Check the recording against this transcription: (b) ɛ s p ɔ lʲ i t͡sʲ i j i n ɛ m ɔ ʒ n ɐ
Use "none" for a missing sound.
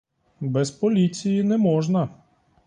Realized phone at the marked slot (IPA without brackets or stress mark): b